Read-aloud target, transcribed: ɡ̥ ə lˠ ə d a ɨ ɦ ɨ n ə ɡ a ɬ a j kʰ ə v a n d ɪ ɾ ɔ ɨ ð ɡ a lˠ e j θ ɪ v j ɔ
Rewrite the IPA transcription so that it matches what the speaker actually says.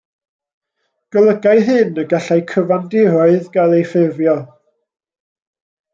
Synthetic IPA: ɡ̥ ə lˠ ə ɡ a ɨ ɦ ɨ n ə ɡ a ɬ a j kʰ ə v a n d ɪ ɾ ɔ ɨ ð ɡ a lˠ e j f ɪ v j ɔ